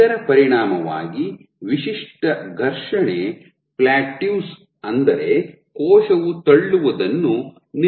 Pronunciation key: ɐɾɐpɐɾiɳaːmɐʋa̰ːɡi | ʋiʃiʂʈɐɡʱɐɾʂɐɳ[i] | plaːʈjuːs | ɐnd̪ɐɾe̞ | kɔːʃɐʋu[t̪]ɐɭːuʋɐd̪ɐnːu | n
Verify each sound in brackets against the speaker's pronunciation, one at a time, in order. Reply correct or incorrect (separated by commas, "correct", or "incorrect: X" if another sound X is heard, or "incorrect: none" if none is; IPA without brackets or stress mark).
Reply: incorrect: e, correct